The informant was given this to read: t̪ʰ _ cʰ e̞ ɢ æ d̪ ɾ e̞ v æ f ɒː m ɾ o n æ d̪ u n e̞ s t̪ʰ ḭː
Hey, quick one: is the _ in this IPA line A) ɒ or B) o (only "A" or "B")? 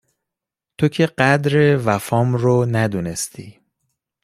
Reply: B